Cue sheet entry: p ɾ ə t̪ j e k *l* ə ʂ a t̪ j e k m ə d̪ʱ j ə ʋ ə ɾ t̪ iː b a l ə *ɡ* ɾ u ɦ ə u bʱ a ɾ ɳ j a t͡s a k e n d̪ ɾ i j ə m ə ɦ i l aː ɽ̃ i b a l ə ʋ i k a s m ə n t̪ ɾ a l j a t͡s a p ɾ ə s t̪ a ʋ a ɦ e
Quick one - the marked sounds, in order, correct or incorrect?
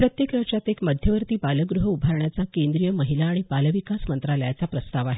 incorrect: ɾ, correct

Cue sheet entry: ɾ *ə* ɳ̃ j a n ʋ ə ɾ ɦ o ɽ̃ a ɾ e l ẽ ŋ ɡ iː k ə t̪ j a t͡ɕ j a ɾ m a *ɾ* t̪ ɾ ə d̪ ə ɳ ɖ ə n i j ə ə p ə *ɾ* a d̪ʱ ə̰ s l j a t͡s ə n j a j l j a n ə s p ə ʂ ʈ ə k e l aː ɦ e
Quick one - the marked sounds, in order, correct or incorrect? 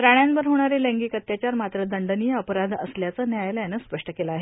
incorrect: a, incorrect: none, correct

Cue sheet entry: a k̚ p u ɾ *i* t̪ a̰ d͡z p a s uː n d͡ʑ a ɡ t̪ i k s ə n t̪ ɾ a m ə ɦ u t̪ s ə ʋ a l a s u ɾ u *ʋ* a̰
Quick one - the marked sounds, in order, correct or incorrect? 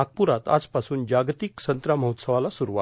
incorrect: a, correct

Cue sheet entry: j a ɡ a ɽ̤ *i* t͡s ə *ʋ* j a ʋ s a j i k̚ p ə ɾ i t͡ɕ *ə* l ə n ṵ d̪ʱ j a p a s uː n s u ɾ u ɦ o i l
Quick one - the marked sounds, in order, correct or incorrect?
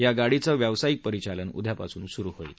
correct, correct, incorrect: a

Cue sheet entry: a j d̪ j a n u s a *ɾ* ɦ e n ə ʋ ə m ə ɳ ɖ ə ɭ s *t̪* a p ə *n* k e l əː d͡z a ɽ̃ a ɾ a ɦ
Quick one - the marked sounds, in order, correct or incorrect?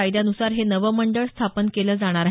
correct, incorrect: t̪ʰ, correct

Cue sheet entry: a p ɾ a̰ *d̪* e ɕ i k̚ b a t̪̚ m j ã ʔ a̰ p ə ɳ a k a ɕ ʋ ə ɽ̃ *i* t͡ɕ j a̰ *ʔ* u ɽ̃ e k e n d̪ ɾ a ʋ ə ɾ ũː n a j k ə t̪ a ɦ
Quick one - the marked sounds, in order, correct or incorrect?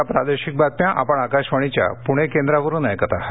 correct, correct, incorrect: p

